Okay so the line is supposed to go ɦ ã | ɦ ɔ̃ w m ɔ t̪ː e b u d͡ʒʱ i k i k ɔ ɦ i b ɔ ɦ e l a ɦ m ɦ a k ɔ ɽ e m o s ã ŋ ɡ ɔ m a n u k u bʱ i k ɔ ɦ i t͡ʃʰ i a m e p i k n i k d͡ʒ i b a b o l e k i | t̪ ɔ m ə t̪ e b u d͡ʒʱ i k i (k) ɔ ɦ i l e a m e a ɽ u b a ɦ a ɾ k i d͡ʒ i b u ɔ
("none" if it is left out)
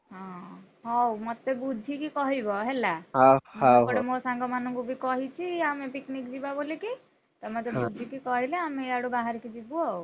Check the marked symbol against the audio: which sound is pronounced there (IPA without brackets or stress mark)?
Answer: k